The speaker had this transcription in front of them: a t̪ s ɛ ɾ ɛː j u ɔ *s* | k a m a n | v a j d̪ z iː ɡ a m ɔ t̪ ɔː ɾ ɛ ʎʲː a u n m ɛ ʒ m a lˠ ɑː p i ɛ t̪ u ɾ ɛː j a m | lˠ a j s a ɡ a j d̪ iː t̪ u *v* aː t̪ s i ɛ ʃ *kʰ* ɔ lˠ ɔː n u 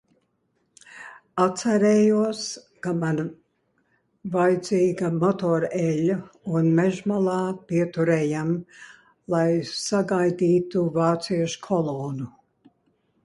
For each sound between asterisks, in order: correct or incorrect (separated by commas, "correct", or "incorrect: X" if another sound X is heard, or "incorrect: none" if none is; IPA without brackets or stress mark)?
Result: correct, correct, correct